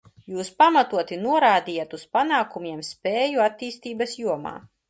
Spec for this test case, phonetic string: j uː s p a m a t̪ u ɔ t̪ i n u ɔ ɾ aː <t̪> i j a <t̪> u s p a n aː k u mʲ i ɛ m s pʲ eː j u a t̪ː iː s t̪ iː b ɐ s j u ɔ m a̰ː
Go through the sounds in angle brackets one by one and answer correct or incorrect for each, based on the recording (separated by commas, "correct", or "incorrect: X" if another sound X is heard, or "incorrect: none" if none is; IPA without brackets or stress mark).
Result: incorrect: d̪, correct